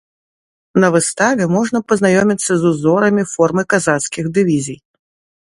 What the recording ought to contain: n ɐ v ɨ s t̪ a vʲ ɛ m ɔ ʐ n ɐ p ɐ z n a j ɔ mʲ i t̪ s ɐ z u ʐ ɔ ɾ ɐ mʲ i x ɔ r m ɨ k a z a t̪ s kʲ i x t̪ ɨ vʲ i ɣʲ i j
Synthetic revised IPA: n ɐ v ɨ s t̪ a vʲ ɛ m ɔ ʐ n ɐ p ɐ z n a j ɔ mʲ i t̪ sː ɐ z u z ɔ ɾ ɐ mʲ i f ɔ r m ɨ k a z a t̪ s kʲ i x d̪ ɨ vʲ i zʲ i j

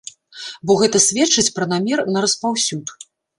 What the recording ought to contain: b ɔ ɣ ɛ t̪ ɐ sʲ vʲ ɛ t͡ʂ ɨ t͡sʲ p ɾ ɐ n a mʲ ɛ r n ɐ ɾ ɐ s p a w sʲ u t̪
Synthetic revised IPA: b ɔ ɣ ɛ t̪ ɐ sʲ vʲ ɛ t͡ʂ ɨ t͡sʲ p ɾ ɐ n a mʲ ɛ r n ɐ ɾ ɐ s p a w sʲ u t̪

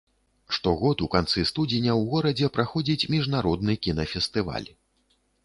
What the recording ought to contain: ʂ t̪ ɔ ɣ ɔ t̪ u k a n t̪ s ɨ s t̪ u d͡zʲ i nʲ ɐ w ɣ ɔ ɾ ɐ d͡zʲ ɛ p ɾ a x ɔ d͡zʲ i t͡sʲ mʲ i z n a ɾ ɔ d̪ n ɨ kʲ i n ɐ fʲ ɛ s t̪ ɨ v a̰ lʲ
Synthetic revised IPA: ʂ t̪ ɔ ɣ ɔ t̪ u k a n t̪ s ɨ s t̪ u d͡zʲ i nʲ ɐ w ɣ ɔ ɾ ɐ d͡zʲ ɛ p ɾ a x ɔ d͡zʲ i t͡sʲ mʲ i ʐ n a ɾ ɔ d̪ n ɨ kʲ i n ɐ fʲ ɛ s t̪ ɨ v a̰ lʲ

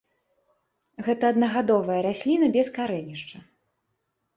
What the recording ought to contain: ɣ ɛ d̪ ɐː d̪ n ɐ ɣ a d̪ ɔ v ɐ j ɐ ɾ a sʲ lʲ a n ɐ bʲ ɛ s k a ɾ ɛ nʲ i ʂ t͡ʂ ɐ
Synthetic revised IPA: ɣ ɛ t̪ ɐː d̪ n ɐ ɣ a d̪ ɔ v ɐ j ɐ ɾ a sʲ lʲ i n ɐ bʲ ɛ s k a ɾ ɛ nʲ i ʂ t͡ʂ ɐ

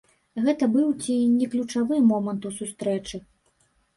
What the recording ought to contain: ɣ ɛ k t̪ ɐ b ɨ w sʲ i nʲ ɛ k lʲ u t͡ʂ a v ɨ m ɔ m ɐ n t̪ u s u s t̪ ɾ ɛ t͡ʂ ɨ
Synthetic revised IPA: ɣ ɛ t̪ ɐ b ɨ w t͡sʲ i nʲ ɛ k lʲ u t͡ʂ a v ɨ m ɔ m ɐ n t̪ u s u s t̪ ɾ ɛ t͡ʂ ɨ

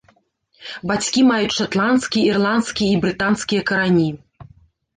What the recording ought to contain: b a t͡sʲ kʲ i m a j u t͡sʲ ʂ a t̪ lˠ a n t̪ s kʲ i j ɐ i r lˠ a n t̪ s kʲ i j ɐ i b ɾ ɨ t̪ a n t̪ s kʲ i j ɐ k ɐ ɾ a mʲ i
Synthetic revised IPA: b a t͡sʲ kʲ i m a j u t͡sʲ ʂ a t̪ lˠ a n t̪ s kʲ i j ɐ i r lˠ a n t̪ s kʲ i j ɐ i b ɾ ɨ t̪ a n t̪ s kʲ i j ɐ k ɐ ɾ a nʲ i

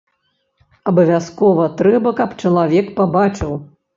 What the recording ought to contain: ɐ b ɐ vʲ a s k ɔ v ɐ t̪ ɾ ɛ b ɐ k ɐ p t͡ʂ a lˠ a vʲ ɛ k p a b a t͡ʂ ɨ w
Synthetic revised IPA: ɐ b ɐ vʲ a s k ɔ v ɐ t̪ ɾ ɛ b ɐ k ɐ p t͡ʂ ɐ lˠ a vʲ ɛ k p a b a t͡ʂ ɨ w

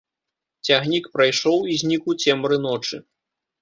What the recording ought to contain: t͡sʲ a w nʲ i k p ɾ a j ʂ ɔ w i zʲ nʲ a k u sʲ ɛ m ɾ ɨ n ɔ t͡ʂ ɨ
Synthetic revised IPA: t͡sʲ a ɣ nʲ i k p ɾ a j ʂ ɔ w i zʲ nʲ i k u t͡sʲ ɛ m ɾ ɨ n ɔ t͡ʂ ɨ

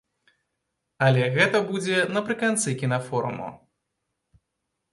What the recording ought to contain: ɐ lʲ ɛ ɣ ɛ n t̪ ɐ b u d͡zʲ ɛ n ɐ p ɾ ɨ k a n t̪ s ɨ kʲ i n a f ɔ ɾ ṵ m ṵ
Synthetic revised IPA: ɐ lʲ ɛ ɣ ɛ t̪ ɐ b u d͡zʲ ɛ n ɐ p ɾ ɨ k a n t̪ s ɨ kʲ i n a f ɔ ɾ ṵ m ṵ

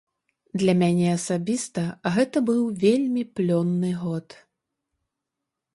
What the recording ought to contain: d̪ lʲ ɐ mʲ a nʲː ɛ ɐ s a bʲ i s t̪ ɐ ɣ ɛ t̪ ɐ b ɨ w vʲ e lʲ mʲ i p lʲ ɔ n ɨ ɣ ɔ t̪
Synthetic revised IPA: d̪ lʲ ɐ mʲ a nʲ ɛ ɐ s a bʲ i s t̪ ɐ ɣ ɛ t̪ ɐ b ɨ w vʲ e lʲ mʲ i p lʲ ɔ nː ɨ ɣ ɔ t̪

